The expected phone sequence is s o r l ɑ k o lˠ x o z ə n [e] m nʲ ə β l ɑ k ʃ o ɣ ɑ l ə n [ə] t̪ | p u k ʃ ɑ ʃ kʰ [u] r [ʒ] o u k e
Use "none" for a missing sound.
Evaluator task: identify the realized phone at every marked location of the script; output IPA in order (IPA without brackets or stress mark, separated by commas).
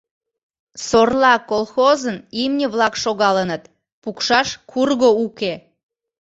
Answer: i, ə, u, ɣ